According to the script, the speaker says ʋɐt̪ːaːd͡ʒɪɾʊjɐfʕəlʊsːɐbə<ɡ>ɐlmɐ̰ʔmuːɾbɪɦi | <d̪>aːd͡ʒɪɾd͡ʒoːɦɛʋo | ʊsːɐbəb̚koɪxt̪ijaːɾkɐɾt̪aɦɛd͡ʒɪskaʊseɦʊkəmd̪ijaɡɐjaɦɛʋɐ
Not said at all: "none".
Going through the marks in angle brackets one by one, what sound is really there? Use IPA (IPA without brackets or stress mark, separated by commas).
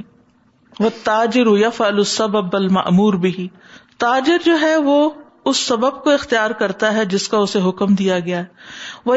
b, t̪